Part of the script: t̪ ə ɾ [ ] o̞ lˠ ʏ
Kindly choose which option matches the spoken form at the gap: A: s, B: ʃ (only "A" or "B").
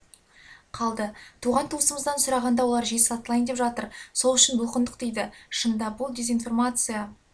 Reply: A